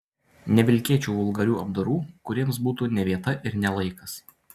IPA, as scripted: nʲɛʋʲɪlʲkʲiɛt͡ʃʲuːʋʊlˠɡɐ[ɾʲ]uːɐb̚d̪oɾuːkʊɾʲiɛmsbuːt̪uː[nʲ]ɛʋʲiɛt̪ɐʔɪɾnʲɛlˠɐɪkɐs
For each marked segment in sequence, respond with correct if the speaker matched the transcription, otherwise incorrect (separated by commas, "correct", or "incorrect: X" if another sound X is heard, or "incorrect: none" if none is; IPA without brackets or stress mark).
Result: correct, correct